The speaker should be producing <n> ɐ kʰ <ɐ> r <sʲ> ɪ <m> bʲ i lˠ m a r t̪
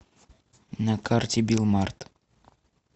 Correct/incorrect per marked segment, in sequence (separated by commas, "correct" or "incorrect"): correct, incorrect, incorrect, incorrect